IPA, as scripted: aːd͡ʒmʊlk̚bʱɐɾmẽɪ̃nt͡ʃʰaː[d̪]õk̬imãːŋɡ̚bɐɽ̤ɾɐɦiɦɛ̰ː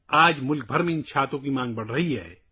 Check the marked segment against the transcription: incorrect: t̪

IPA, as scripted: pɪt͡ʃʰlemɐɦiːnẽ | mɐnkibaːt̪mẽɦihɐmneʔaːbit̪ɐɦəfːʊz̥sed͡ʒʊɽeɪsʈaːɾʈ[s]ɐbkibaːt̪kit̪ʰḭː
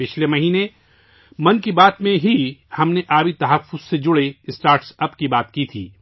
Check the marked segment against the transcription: correct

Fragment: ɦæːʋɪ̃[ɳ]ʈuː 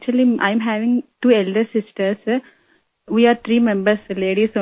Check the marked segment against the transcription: incorrect: ŋ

